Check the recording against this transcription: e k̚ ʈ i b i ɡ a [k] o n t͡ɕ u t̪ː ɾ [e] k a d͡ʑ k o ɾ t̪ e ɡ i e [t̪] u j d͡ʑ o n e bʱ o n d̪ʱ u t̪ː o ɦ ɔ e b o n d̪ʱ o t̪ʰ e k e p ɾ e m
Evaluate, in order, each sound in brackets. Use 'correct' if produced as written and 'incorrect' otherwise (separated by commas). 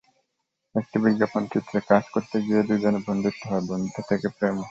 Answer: incorrect, correct, incorrect